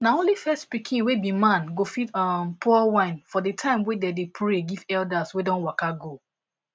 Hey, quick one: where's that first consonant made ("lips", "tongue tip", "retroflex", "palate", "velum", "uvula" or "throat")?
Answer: tongue tip